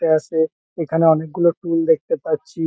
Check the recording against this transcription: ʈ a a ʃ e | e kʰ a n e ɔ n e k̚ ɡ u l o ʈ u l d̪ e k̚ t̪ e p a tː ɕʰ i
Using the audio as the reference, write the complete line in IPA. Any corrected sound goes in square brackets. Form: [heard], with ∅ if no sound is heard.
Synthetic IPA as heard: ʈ [e] a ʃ e | e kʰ a n e ɔ n e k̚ ɡ u l o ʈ u l d̪ e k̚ t̪ e p a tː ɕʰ i